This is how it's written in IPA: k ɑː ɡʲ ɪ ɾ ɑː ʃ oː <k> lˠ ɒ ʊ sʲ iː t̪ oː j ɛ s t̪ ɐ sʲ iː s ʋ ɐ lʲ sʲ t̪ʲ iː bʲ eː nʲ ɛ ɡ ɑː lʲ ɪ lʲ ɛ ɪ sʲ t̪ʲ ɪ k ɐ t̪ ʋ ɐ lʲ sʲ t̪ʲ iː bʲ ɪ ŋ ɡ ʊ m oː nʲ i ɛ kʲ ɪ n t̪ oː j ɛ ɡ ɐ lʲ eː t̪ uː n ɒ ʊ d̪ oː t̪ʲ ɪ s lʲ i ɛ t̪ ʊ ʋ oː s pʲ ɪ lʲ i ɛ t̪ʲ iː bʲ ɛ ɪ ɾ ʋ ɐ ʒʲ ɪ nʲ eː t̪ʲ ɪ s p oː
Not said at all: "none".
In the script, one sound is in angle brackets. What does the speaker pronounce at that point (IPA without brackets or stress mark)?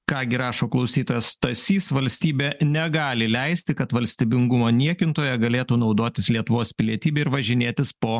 k